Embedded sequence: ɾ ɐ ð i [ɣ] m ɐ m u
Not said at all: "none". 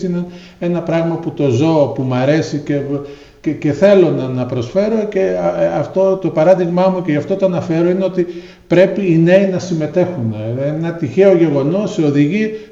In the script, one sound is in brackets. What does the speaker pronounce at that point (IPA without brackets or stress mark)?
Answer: ɣ